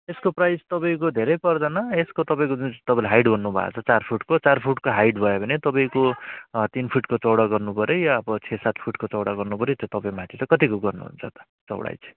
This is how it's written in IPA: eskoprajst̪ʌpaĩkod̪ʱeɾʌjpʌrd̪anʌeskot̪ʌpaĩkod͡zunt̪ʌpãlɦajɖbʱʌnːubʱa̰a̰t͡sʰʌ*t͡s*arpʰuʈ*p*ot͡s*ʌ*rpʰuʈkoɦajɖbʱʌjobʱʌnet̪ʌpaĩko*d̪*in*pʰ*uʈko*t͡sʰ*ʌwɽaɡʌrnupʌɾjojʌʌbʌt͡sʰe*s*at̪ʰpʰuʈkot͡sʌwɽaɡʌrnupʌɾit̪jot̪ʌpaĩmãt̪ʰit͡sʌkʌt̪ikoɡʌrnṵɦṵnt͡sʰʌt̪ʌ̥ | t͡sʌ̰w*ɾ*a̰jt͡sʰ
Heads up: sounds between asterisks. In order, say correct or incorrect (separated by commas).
correct, incorrect, incorrect, incorrect, correct, incorrect, correct, incorrect